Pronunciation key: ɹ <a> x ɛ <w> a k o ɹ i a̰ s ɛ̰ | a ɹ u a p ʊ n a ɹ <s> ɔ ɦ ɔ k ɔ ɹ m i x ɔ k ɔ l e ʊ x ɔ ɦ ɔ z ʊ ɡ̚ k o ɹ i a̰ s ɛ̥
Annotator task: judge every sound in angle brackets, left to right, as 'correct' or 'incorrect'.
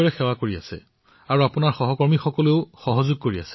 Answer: incorrect, correct, incorrect

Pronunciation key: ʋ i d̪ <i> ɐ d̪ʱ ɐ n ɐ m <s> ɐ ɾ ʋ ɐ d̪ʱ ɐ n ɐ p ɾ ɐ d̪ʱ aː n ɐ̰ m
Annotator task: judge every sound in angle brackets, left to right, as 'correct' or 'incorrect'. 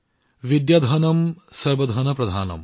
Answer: incorrect, correct

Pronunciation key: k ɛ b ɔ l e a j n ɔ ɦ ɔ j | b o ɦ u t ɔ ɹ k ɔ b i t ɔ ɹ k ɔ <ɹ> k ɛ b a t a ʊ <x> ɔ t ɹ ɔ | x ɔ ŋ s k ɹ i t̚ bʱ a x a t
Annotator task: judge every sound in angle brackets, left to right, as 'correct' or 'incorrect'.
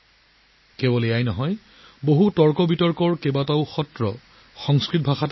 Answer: correct, correct

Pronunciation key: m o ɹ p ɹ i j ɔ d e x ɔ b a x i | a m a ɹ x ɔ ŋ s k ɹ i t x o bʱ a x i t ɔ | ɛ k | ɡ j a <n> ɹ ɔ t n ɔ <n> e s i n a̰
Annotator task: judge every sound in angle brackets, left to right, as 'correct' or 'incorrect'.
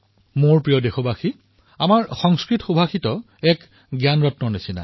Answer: correct, correct

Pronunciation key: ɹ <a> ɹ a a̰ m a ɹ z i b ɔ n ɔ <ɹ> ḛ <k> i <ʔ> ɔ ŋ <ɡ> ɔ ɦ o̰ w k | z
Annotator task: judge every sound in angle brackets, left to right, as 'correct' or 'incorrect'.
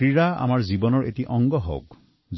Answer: incorrect, correct, incorrect, correct, correct

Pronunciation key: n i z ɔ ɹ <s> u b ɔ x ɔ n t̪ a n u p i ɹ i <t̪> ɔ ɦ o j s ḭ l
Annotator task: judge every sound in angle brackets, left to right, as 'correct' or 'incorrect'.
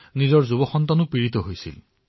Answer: incorrect, correct

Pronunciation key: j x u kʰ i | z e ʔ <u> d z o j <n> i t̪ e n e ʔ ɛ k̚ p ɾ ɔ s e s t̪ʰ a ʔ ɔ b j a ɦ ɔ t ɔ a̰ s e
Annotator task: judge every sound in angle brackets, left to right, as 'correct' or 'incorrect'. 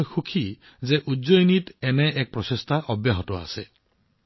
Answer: correct, correct

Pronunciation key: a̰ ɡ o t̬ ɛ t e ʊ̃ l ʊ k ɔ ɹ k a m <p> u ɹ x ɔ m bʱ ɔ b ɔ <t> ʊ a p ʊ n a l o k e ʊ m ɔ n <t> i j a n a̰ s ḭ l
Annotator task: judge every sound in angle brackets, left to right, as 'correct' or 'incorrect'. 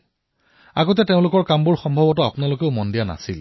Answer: incorrect, correct, incorrect

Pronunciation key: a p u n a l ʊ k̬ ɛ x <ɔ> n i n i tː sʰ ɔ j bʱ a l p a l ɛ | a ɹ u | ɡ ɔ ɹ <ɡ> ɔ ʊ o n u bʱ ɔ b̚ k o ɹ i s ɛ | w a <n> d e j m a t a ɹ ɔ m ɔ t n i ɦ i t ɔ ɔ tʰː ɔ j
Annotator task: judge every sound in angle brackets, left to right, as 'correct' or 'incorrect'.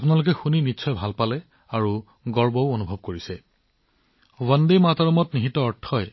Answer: incorrect, incorrect, correct

